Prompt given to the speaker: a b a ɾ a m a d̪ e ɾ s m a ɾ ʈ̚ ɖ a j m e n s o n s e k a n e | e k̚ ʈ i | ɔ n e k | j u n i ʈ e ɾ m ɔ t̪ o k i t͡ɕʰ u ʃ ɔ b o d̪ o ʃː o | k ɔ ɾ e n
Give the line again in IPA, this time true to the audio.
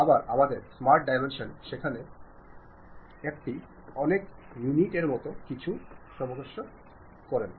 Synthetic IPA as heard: a b a ɾ a m a d̪ e ɾ s m a ɾ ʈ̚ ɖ a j m e n ʃ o n ʃ e kʰ a n e | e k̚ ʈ i | ɔ n e k | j u n i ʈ e ɾ m ɔ t̪ o k i t͡ɕʰ u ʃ ɔ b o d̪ o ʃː o | k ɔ ɾ e n